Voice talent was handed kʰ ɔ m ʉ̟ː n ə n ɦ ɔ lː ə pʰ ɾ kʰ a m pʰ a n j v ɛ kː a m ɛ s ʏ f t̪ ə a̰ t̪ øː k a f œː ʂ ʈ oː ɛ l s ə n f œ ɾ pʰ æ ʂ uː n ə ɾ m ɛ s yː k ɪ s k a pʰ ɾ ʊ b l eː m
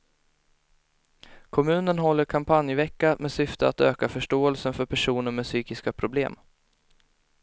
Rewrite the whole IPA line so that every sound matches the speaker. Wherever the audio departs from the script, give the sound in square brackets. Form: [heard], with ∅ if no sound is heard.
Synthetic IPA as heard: kʰ ɔ m ʉ̟ː n ə n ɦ ɔ lː ə [∅] ɾ kʰ a m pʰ a n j v ɛ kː a m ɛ s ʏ f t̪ ə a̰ t̪ øː k a f [œ] ʂ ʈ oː ɛ l s ə n f œ ɾ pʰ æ ʂ uː n ə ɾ m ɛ s yː k ɪ s k a pʰ ɾ ʊ b l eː m